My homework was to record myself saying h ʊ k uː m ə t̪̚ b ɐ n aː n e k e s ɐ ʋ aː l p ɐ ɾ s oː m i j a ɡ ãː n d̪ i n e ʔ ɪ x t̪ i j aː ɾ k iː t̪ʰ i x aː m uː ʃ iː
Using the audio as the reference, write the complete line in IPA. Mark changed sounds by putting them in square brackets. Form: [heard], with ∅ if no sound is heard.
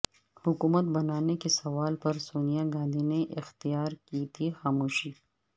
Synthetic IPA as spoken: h ʊ k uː m ə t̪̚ b ɐ n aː n e k e s ɐ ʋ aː l p ɐ ɾ s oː [n] i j a ɡ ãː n d̪ i n e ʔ ɪ x t̪ i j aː ɾ k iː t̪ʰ i x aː m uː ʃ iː